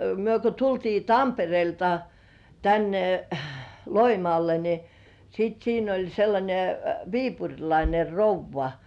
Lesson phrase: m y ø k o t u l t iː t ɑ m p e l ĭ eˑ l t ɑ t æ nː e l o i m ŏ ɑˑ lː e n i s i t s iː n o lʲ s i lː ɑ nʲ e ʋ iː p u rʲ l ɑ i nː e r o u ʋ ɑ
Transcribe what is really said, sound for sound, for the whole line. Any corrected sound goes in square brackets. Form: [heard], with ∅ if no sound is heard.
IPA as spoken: m y ø k o t u l t iː t ɑ m p e [r] ĭ eˑ l t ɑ t æ nː e l o i m ŏ ɑˑ lː e n i s i t s iː n o lʲ s [e] lː ɑ nʲ e ʋ iː p u rʲ l ɑ i [n] e r o u [ʋː] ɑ